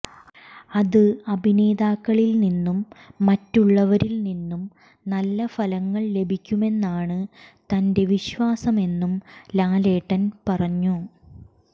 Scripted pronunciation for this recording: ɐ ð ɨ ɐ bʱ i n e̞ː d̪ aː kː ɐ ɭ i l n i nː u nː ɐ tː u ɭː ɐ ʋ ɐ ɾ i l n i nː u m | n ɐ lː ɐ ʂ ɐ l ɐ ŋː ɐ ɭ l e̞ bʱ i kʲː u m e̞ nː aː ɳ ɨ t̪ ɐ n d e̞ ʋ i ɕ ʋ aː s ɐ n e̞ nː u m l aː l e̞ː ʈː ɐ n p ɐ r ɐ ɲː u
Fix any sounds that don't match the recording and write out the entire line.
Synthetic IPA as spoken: ɐ ð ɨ ɐ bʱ i n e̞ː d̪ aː kː ɐ ɭ i l n i nː u mː ɐ tː u ɭː ɐ ʋ ɐ ɾ i l n i nː u m | n ɐ lː ɐ f ɐ l ɐ ŋː ɐ ɭ l e̞ bʱ i kʲː u m e̞ nː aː ɳ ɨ t̪ ɐ n d e̞ ʋ i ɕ ʋ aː s ɐ m e̞ nː u m l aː l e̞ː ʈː ɐ n p ɐ r ɐ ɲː u

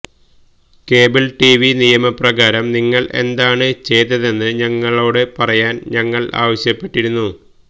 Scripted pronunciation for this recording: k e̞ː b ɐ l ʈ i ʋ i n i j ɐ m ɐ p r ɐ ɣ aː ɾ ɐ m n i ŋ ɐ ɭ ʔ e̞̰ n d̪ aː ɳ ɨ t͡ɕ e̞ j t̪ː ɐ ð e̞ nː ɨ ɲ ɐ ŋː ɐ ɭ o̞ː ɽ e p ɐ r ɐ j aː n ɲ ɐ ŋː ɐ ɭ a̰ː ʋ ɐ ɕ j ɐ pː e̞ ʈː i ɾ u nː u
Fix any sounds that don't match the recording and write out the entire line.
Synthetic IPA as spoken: k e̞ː b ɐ l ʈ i ʋ i n i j ɐ m ɐ p r ɐ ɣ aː ɾ ɐ m n i ŋː ɐ ɭ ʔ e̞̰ n d̪ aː ɳ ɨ t͡ɕ e̞ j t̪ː ɐ ð e̞ nː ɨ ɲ ɐ ŋː ɐ ɭ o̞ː ɽ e p ɐ r ɐ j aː n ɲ ɐ ŋː ɐ ɭ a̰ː ʋ ɐ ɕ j ɐ pː e̞ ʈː i ɾ u nː u

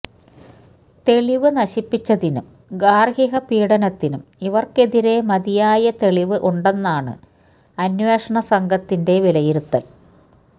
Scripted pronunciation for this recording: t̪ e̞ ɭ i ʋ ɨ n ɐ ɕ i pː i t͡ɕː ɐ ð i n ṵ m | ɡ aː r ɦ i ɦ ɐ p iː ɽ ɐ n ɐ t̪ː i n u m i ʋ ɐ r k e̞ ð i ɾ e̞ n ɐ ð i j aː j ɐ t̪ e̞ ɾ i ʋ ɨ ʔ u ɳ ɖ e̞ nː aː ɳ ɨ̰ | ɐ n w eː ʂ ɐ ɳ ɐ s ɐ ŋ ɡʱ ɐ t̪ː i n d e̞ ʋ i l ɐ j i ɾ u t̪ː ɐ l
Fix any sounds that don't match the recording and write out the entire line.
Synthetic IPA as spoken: t̪ e̞ ɭ i ʋ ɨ n ɐ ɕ i pː i t͡ɕː ɐ ð i n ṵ m | ɡ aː r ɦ i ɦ ɐ p iː ɽ ɐ n ɐ t̪ː i n u m i ʋ ɐ r k e̞ ð i ɾ e̞ m ɐ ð i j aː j ɐ t̪ e̞ ɭ i ʋ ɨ ʔ u ɳ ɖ e̞ nː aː ɳ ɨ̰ | ɐ n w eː ʂ ɐ ɳ ɐ s ɐ ŋ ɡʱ ɐ t̪ː i n d e̞ ʋ i l ɐ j i ɾ u t̪ː ɐ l

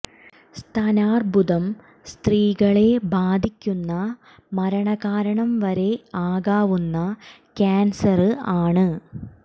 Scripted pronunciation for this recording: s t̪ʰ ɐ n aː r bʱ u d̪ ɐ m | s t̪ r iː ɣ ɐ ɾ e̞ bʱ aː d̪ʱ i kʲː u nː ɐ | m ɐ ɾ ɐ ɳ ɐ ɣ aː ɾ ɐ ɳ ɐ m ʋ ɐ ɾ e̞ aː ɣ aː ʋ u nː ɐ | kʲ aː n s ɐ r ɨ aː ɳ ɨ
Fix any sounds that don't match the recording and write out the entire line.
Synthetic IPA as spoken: s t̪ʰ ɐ n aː r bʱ u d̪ ɐ m | s t̪ r iː ɣ ɐ ɭ e̞ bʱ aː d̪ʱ i kʲː u nː ɐ | m ɐ ɾ ɐ ɳ ɐ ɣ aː ɾ ɐ ɳ ɐ m ʋ ɐ ɾ e̞ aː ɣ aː ʋ u nː ɐ | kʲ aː n s ɐ r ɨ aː ɳ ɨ

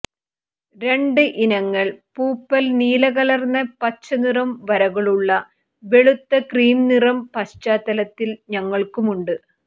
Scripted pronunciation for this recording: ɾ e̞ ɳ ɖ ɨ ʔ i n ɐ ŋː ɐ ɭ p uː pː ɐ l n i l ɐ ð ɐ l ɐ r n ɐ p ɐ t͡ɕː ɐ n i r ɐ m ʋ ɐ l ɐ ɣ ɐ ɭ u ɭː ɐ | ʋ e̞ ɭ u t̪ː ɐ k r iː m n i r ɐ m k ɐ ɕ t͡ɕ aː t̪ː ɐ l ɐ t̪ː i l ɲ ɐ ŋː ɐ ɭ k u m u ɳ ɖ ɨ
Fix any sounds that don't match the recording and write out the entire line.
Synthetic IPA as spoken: ɾ e̞ ɳ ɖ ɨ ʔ i n ɐ ŋː ɐ ɭ p uː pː ɐ l n iː l ɐ ɣ ɐ l ɐ r n ɐ p ɐ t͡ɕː ɐ n i r ɐ m ʋ ɐ ɾ ɐ ɣ ɐ ɭ u ɭː ɐ | ʋ e̞ ɭ u t̪ː ɐ k r iː m n i r ɐ m p ɐ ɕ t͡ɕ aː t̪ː ɐ l ɐ t̪ː i l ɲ ɐ ŋː ɐ ɭ k u m u ɳ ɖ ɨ

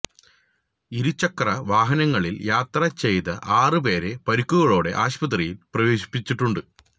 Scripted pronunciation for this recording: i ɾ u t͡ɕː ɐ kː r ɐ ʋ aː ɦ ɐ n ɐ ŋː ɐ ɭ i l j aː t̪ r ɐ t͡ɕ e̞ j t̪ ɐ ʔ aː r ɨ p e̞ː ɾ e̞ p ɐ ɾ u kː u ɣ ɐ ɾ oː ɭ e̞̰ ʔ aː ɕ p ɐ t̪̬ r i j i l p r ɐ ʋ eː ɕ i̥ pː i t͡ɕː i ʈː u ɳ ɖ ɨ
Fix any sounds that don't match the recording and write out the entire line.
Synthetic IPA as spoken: i ɾ u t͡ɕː ɐ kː r ɐ ʋ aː ɦ ɐ n ɐ ŋː ɐ ɭ i l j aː t̪ r ɐ t͡ɕ e̞ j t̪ ɐ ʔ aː r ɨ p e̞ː ɾ e̞ p ɐ ɾ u kː u ɣ ɐ ɭ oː ɽ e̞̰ ʔ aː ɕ p ɐ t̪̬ r i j i l p r ɐ ʋ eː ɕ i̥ pː i t͡ɕː i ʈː u ɳ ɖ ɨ

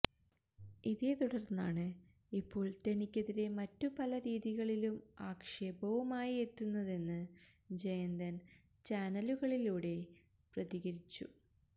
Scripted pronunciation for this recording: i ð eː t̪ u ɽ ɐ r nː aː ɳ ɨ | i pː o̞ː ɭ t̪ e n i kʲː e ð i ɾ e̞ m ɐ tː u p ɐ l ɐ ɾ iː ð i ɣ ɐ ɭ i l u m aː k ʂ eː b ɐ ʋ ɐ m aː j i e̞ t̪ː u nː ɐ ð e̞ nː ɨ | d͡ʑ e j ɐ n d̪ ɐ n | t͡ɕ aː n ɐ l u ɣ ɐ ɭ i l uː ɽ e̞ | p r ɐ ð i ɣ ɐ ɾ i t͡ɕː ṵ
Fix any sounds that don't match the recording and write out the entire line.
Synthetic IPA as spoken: i ð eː t̪ u ɽ ɐ r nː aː ɳ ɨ | i pː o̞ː ɭ t̪ e n i kʲː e ð i ɾ e̞ m ɐ tː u p ɐ l ɐ ɾ iː ð i ɣ ɐ ɭ i l u m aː k ʂ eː b ɐ ʋ ɐ m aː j i e̞ t̪ː u nː ɐ ð e̞ nː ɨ | d͡ʑ e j ɐ n d̪ ɐ n | t͡ɕ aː n ɐ l u ɣ ɐ ɭ i l uː ɽ e̞ | p r ɐ ð i ɣ ɐ ɾ i t͡ɕː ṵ

